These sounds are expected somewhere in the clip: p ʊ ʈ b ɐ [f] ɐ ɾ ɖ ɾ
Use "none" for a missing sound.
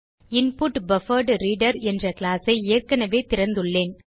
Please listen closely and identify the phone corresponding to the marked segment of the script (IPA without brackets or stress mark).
f